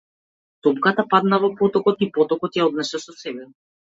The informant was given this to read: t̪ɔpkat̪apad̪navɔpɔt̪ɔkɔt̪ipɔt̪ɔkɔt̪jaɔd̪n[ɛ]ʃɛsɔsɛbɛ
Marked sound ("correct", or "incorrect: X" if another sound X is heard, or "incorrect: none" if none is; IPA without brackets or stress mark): correct